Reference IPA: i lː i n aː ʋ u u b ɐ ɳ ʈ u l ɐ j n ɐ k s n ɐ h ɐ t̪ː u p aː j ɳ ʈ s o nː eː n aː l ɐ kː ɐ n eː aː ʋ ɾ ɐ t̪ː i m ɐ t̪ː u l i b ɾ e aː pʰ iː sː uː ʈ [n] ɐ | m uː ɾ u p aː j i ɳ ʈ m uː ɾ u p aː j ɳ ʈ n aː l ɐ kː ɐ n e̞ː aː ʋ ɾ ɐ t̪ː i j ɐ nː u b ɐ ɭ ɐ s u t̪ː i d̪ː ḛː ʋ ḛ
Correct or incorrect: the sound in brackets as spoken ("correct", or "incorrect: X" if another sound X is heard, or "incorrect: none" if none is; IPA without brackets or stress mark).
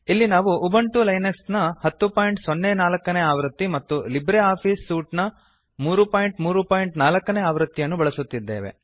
correct